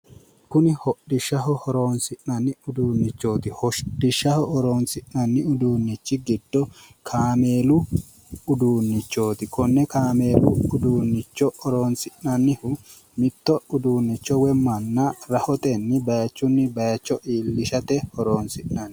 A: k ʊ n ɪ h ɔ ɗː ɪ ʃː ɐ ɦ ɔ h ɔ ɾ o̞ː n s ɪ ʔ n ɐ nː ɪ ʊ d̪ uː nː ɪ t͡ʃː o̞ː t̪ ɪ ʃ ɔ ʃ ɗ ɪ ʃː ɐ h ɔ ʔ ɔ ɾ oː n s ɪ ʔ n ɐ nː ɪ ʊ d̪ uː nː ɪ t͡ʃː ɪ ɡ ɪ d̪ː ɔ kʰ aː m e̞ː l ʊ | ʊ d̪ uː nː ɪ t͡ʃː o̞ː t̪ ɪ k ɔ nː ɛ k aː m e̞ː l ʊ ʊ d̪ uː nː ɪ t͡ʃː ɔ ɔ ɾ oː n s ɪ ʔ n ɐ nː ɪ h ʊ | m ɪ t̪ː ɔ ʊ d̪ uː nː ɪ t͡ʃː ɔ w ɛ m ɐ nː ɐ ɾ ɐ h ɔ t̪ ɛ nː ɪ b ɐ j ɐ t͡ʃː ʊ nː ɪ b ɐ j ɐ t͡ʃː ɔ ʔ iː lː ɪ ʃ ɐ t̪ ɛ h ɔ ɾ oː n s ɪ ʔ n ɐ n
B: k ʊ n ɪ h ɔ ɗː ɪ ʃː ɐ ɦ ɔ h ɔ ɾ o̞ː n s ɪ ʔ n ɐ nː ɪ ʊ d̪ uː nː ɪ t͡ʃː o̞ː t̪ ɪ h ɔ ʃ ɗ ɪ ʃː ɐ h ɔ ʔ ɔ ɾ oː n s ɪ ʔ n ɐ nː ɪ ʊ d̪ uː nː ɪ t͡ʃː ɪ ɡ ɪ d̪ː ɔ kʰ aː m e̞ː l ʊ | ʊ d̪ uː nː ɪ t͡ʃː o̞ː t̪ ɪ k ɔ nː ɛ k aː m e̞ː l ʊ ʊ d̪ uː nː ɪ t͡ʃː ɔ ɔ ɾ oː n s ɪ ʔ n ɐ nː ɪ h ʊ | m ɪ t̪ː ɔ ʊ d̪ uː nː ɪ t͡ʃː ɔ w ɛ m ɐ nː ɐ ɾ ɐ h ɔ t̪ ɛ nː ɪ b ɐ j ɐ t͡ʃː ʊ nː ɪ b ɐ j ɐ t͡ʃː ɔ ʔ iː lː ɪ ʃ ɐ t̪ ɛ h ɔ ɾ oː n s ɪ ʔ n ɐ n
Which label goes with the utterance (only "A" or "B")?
B